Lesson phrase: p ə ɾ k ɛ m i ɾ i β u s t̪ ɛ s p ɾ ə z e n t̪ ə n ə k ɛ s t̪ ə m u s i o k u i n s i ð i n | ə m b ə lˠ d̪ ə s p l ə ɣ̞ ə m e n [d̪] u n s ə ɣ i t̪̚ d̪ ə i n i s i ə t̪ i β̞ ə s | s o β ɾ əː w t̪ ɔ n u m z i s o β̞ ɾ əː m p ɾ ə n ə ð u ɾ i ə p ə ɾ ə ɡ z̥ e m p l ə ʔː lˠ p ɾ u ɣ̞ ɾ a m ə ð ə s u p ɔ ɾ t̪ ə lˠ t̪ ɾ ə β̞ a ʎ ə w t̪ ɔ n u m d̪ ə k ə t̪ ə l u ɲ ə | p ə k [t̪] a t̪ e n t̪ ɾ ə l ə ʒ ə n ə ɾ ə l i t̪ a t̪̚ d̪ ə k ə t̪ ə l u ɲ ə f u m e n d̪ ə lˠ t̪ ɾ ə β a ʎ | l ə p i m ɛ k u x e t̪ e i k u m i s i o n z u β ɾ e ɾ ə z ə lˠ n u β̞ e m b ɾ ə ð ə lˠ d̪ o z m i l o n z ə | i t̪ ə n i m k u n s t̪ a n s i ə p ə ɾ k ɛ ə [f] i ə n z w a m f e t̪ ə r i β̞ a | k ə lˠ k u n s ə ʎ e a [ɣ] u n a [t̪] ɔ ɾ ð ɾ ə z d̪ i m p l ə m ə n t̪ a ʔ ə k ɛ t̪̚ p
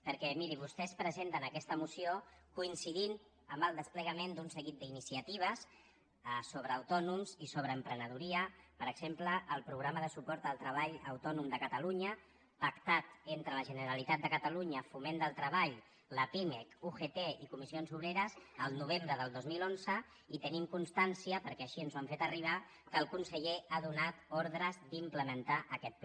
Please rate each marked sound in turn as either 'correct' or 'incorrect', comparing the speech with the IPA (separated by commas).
correct, correct, incorrect, incorrect, correct